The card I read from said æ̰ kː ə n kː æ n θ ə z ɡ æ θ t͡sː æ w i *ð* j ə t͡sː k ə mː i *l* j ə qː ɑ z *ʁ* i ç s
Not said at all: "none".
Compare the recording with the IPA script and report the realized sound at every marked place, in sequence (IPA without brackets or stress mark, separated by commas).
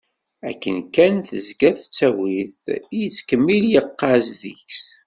θ, l, ð